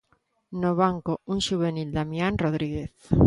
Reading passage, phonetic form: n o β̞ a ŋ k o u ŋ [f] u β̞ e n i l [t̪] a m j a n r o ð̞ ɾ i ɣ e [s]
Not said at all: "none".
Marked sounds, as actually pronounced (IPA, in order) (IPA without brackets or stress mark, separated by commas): ʃ, d̪, θ